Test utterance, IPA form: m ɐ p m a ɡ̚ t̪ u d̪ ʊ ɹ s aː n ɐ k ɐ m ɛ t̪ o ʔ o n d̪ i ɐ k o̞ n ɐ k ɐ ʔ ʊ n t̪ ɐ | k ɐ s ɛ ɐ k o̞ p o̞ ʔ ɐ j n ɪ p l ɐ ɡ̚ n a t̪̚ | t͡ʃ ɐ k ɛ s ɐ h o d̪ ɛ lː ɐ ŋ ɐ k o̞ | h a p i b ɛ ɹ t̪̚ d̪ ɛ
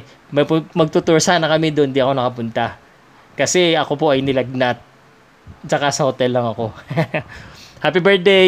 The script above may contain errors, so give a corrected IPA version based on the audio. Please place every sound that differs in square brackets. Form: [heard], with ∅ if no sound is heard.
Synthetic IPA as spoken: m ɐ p m [ɐ] ɡ̚ t̪ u [t̪] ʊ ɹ s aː n ɐ k ɐ m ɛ [d̪] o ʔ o n d̪ i ɐ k o̞ n ɐ k ɐ [p] ʊ n t̪ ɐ | k ɐ s ɛ ɐ k o̞ p o̞ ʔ ɐ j n ɪ [∅] l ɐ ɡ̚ n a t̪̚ | t͡ʃ ɐ k [a] s ɐ h o [t̪] ɛ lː ɐ ŋ ɐ k o̞ | h a p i b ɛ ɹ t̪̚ d̪ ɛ